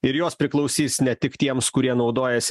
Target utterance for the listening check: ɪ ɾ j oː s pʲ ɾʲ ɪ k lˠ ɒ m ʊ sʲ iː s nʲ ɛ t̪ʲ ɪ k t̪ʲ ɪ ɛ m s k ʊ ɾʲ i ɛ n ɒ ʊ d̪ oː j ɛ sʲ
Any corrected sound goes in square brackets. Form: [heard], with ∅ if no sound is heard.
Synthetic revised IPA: ɪ ɾ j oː s pʲ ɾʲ ɪ k lˠ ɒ [∅] ʊ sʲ iː s nʲ ɛ t̪ʲ ɪ k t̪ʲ [i] ɛ m s k ʊ ɾʲ i ɛ n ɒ ʊ d̪ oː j ɛ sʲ